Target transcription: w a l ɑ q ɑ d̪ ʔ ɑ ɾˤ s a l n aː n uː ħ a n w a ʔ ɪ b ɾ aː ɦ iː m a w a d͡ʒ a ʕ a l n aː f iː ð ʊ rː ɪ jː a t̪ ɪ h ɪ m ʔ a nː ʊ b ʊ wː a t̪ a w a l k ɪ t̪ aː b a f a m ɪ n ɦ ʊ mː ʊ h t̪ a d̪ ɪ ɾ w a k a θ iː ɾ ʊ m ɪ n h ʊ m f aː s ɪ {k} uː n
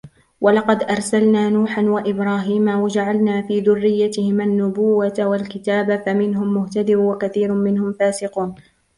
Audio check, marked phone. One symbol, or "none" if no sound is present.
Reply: q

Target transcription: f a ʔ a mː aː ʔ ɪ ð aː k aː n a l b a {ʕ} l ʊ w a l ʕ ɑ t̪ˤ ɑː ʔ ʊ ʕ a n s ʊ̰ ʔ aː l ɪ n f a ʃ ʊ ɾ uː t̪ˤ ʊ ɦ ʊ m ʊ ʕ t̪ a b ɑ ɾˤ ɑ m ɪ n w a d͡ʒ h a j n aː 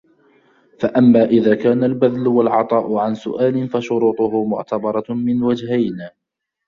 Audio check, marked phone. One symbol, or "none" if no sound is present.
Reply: ð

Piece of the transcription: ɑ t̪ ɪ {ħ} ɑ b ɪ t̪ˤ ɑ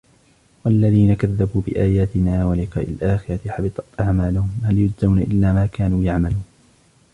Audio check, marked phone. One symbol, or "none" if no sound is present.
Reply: ħ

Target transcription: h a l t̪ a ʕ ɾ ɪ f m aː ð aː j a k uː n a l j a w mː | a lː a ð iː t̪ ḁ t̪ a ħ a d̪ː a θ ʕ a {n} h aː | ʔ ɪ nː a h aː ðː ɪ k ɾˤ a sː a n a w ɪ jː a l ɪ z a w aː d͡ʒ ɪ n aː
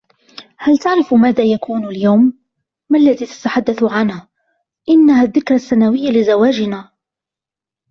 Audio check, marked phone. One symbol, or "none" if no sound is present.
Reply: n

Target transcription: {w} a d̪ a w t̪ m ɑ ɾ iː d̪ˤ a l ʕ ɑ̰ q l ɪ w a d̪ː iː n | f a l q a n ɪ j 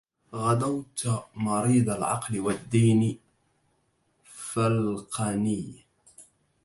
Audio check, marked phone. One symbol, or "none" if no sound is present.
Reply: ɣ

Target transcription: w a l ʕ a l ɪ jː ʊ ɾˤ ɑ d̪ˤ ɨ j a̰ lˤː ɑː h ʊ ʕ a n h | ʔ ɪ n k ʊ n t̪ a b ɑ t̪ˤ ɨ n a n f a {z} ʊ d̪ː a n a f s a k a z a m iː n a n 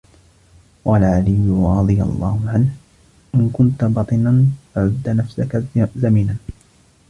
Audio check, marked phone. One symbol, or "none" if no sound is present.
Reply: ʕ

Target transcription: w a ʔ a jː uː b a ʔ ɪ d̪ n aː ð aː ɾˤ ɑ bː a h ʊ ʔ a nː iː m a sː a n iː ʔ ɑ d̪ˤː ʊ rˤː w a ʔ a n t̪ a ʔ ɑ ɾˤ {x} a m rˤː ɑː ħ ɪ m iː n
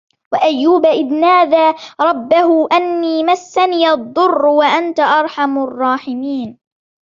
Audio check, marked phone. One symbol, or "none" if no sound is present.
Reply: ħ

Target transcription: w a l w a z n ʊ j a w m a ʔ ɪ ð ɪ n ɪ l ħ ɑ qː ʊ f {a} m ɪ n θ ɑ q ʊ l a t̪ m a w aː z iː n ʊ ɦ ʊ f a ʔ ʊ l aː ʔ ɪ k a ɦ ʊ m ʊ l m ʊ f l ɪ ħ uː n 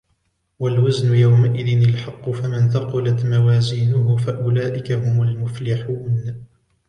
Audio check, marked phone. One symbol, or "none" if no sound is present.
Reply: a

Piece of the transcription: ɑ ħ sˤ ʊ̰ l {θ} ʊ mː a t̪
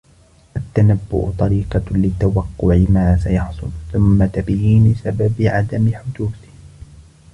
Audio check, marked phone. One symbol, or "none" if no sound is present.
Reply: θ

